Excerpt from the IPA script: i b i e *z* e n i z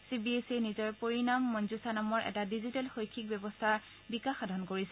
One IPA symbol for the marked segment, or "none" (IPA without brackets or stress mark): s